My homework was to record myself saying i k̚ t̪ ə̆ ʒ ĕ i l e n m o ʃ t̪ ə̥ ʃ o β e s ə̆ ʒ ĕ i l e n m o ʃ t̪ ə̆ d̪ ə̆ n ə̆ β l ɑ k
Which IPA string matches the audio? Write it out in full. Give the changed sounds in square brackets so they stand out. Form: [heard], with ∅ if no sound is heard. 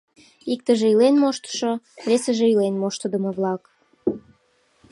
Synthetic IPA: i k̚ t̪ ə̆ ʒ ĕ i l e n m o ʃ t̪ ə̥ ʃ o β e s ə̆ ʒ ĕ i l e n m o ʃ t̪ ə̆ d̪ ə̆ [m] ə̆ β l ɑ k